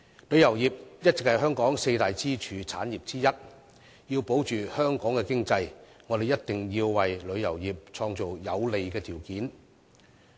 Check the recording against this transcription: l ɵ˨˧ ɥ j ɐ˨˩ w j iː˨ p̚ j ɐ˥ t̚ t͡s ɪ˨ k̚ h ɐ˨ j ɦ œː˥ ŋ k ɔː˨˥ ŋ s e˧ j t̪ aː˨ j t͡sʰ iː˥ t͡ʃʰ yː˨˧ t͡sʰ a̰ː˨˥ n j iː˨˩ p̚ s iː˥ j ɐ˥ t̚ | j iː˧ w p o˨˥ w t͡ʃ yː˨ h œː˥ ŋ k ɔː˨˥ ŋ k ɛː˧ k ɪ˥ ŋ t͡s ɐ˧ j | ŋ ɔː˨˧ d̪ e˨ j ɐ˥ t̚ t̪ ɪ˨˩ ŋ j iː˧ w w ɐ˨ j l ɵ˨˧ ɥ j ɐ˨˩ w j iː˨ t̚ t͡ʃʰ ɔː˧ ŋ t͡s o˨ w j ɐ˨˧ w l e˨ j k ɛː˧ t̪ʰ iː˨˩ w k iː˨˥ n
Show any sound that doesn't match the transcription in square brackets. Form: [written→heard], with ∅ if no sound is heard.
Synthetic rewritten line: l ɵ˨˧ ɥ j ɐ˨˩ w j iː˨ p̚ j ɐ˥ t̚ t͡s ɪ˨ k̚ h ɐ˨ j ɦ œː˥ ŋ k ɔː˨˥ ŋ s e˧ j t̪ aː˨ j [t͡sʰ→t͡s] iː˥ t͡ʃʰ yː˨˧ t͡sʰ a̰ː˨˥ n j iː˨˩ p̚ [s→t͡s] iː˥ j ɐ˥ t̚ | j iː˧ w p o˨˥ w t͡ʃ yː˨ h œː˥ ŋ k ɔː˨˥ ŋ k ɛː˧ k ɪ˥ ŋ t͡s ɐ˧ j | ŋ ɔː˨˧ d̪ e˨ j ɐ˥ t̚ t̪ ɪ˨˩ ŋ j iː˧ w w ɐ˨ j l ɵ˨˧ ɥ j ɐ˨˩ w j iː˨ [t̚→p̚] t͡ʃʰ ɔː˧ ŋ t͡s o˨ w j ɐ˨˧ w l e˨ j k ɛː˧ t̪ʰ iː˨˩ w k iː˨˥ n